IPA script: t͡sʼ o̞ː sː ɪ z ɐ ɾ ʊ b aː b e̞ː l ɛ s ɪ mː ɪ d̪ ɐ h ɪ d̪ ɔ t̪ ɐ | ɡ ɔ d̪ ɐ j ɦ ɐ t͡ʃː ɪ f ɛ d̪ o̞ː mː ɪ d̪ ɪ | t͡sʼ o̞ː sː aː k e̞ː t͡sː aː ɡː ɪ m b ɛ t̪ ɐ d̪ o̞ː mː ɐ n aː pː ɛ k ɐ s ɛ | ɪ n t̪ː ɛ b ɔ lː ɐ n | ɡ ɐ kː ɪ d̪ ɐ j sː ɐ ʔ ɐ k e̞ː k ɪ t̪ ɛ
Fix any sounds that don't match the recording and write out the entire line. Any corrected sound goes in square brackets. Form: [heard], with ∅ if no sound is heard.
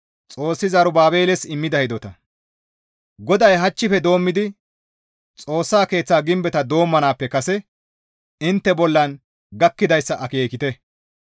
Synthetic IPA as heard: t͡sʼ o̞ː sː ɪ z ɐ ɾ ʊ b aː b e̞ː l ɛ s ɪ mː ɪ d̪ ɐ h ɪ d̪ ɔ t̪ ɐ | ɡ ɔ d̪ ɐ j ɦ ɐ t͡ʃː ɪ f ɛ d̪ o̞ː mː ɪ d̪ ɪ | t͡sʼ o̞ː sː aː k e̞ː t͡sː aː [ɡ] ɪ m b ɛ t̪ ɐ d̪ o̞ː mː ɐ n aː pː ɛ k ɐ s ɛ | ɪ n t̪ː ɛ b ɔ lː ɐ n | ɡ ɐ kː ɪ d̪ ɐ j sː ɐ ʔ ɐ k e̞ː k ɪ t̪ ɛ